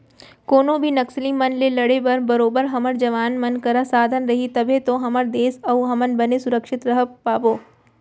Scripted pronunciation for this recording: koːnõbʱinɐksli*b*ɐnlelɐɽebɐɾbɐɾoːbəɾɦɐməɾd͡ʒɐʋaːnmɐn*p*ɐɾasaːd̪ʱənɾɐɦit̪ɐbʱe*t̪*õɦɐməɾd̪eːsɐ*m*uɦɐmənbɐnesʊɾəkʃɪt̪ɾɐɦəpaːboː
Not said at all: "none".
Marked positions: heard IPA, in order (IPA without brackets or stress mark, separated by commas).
m, k, t̪, none